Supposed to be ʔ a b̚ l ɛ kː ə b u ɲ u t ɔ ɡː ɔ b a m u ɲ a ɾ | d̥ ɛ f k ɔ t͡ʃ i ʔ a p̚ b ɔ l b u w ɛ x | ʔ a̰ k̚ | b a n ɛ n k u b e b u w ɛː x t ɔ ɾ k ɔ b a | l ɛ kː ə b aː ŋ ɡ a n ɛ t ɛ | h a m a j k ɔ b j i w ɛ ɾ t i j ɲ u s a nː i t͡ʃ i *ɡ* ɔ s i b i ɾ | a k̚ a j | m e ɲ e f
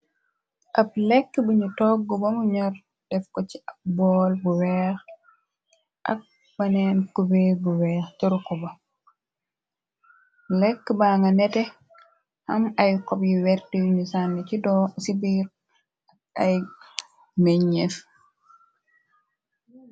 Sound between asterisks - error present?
yes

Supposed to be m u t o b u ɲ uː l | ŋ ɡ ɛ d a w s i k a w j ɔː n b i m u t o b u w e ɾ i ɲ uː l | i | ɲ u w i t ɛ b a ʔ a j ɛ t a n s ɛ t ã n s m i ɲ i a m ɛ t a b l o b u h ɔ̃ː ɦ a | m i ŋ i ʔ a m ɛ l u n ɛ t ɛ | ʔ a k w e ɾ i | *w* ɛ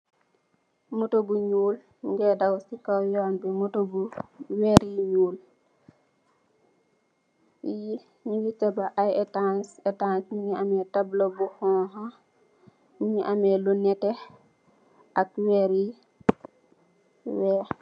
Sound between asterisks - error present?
no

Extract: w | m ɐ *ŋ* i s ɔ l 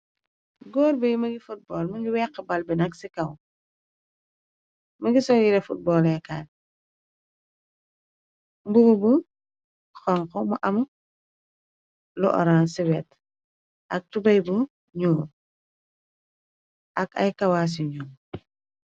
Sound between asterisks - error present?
yes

